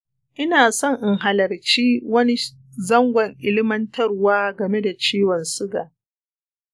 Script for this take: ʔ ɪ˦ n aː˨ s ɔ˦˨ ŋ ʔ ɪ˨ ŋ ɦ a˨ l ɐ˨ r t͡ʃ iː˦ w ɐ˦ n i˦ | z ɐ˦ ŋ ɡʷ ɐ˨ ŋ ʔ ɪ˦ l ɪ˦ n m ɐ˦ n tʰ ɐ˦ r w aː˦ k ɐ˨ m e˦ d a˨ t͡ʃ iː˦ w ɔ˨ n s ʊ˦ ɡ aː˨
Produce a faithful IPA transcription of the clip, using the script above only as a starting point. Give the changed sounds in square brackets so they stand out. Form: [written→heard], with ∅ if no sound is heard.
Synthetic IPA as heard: ʔ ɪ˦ n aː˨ s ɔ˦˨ ŋ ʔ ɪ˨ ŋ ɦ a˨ l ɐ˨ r t͡ʃ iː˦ w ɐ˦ n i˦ | z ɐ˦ ŋ ɡʷ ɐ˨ ŋ ʔ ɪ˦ l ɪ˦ [n→∅] m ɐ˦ n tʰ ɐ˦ r w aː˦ [k→ɡ] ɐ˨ m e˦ d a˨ t͡ʃ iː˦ w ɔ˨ n s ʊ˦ ɡ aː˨